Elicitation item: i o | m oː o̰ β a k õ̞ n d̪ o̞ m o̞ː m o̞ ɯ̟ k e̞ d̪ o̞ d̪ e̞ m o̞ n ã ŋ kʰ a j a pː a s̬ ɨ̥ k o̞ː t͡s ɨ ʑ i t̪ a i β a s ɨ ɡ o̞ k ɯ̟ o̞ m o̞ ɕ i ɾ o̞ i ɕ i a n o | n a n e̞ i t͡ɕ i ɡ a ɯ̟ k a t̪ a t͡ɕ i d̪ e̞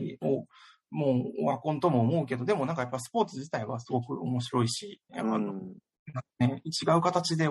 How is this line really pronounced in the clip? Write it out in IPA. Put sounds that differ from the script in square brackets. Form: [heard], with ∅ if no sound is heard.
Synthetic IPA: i o | m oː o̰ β a k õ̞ n [t̪] o̞ m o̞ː m o̞ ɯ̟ k e̞ d̪ o̞ d̪ e̞ m o̞ n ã ŋ [k] a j a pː a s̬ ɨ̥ [p] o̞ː t͡s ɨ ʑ i t̪ a i β a s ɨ ɡ o̞ k ɯ̟ o̞ m o̞ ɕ i ɾ o̞ i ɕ i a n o | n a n e̞ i t͡ɕ i ɡ a ɯ̟ k a t̪ a t͡ɕ i d̪ e̞